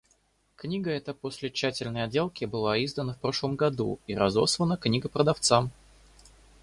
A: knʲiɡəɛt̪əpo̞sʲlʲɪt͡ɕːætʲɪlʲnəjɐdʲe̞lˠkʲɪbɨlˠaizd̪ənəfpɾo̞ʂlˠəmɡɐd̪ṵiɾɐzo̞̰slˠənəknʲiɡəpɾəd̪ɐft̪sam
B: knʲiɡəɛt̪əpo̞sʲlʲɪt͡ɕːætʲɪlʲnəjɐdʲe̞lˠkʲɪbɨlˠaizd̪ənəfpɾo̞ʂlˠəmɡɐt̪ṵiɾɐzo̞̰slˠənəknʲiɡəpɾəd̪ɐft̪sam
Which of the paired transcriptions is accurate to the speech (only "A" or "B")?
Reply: A